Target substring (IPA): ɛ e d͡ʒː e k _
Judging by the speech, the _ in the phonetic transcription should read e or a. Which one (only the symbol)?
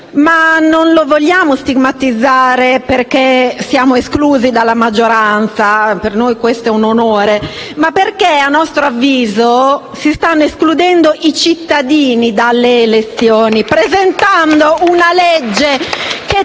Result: e